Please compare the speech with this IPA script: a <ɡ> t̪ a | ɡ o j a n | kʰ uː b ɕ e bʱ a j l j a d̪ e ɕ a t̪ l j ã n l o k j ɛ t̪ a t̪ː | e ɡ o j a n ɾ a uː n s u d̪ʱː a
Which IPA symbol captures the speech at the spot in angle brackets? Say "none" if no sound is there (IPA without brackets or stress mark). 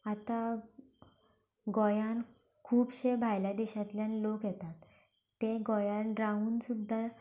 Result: none